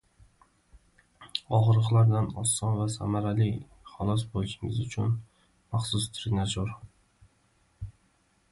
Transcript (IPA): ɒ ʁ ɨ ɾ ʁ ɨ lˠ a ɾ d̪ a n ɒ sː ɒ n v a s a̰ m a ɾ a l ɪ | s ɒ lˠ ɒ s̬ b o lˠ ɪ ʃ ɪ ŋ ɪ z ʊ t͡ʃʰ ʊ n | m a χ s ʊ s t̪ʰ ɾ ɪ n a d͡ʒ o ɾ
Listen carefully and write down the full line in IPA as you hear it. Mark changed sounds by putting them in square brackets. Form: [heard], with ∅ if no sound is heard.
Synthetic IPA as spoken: ɒ ʁ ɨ ɾ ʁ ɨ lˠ a ɾ d̪ a n ɒ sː ɒ n v a s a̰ m a ɾ a l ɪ | [χ] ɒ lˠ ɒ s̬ b o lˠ ɪ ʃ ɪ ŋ ɪ z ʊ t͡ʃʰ ʊ n | m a χ s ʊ s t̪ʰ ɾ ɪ n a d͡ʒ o ɾ